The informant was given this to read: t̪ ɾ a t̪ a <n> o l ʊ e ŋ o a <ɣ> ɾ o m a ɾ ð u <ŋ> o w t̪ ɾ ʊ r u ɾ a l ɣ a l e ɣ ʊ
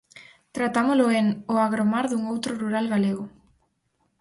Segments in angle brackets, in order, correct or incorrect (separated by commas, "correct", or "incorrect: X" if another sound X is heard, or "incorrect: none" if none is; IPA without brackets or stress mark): incorrect: m, correct, correct